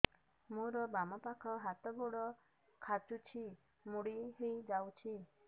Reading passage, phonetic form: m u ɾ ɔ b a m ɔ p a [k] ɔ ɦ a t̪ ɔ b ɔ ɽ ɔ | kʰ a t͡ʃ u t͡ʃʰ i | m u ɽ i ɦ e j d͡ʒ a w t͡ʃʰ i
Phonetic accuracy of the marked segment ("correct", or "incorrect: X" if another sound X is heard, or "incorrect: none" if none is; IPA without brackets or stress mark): incorrect: kʰ